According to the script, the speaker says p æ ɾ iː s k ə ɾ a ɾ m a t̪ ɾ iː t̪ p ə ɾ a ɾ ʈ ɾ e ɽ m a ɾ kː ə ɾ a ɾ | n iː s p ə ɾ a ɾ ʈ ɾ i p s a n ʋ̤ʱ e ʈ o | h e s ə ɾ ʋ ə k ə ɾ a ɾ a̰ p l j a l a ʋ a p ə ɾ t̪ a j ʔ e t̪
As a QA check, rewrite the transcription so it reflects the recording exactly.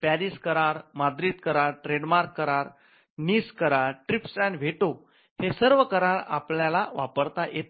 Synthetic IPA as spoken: p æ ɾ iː s k ə ɾ a ɾ m a d̪ ɾ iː t̪ k ə ɾ a ɾ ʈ ɾ e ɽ m a ɾ kː ə ɾ a ɾ | n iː s k ə ɾ a ɾ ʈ ɾ i p s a n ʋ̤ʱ e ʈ o | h e s ə ɾ ʋ ə k ə ɾ a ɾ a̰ p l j a l a ʋ a p ə ɾ t̪ a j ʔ e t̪